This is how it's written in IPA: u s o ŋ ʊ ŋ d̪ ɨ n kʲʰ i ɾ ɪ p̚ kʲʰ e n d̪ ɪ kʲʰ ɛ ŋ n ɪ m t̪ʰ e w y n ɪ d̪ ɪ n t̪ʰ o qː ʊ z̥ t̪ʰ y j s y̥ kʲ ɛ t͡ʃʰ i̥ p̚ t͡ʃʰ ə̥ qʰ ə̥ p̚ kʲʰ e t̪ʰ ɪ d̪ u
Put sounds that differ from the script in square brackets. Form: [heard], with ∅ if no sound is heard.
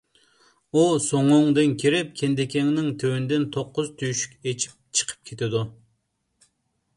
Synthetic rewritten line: u s o ŋ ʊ ŋ d̪ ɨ n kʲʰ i ɾ ɪ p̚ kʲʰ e n d̪ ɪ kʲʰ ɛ ŋ n ɪ [ŋ] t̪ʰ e w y n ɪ d̪ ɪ n t̪ʰ o qː ʊ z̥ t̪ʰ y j [ʃ] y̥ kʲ [e] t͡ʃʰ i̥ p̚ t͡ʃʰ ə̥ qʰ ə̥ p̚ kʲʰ e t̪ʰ ɪ d̪ u